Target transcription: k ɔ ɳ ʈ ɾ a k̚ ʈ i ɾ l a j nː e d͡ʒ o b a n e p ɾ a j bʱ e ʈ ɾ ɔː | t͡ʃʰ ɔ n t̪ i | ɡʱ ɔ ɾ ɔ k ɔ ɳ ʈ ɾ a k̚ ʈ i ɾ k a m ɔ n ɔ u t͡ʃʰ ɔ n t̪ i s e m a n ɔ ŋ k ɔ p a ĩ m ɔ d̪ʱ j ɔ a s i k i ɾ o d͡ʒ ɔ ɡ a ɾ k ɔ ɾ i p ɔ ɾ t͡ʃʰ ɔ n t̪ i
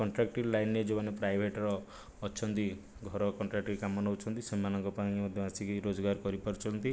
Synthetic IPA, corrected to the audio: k ɔ ɳ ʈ ɾ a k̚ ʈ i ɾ l a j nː e d͡ʒ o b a n e p ɾ a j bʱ e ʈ ɾ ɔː | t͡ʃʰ ɔ n t̪ i | ɡʱ ɔ ɾ ɔ k ɔ ɳ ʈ ɾ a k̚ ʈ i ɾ k a m ɔ n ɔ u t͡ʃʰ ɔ n t̪ i s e m a n ɔ ŋ k ɔ p a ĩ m ɔ d̪ʱ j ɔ a s i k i ɾ o d͡ʒ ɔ ɡ a ɾ k ɔ ɾ i p ɔ ɾ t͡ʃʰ ɔ n t̪ i